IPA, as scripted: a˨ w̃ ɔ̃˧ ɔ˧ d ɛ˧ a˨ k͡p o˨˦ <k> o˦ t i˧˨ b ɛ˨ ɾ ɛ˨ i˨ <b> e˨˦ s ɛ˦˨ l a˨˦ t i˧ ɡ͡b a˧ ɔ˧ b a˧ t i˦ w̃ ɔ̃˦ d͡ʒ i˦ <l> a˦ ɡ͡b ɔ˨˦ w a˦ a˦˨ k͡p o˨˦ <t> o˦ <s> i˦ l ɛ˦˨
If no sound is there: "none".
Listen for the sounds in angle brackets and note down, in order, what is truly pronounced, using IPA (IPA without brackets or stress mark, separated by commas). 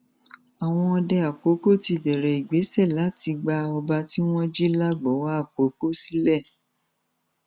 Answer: k, ɡ͡b, l, k, s